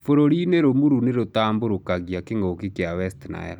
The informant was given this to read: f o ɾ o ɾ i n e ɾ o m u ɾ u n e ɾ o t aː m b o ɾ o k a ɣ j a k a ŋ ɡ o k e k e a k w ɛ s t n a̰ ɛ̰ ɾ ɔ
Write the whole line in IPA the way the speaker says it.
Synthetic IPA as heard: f o ɾ o ɾ i n e ɾ o m u ɾ u n e ɾ o t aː m b o ɾ o k a ɣ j a k e ŋ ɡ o k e k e a w ɛ s t n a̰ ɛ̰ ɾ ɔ